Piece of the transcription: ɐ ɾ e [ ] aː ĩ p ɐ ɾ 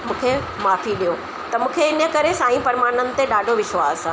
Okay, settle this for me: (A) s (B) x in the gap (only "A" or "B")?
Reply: A